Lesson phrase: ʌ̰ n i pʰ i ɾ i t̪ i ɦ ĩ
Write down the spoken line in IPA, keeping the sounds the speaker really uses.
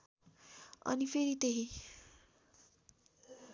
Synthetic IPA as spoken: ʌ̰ n i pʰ e ɾ i t̪ e ɦ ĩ